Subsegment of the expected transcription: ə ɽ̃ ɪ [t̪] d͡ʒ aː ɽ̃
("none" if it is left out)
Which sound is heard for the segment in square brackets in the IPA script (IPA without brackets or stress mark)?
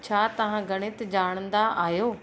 t̪